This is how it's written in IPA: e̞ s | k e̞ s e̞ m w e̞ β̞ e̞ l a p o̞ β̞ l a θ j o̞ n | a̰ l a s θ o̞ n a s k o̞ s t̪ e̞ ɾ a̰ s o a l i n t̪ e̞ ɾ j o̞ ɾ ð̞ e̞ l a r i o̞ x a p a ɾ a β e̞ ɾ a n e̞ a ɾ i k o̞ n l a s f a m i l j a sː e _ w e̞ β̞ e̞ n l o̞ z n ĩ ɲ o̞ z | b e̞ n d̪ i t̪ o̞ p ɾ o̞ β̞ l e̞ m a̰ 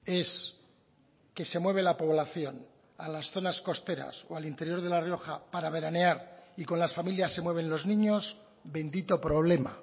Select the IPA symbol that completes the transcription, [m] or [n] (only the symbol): m